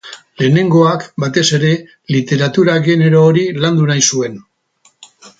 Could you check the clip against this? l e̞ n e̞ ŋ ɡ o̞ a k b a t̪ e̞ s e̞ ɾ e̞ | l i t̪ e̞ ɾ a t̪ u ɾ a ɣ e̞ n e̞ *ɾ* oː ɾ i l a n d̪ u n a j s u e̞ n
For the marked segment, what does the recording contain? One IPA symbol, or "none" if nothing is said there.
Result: ɾ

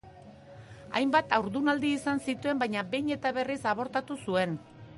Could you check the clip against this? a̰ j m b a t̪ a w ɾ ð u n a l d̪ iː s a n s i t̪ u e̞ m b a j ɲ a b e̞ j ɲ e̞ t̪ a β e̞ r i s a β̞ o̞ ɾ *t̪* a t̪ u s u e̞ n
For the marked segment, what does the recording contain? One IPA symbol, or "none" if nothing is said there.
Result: t̪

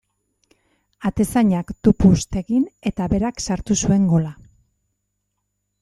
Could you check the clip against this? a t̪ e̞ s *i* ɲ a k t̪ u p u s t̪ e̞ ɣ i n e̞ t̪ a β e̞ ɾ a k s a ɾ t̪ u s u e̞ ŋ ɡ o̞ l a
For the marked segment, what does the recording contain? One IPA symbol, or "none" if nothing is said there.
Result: a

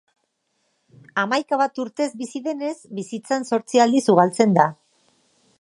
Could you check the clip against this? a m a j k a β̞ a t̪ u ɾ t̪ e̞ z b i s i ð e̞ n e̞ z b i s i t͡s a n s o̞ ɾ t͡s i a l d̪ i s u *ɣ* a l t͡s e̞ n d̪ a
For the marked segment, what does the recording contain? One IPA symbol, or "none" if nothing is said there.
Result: ɣ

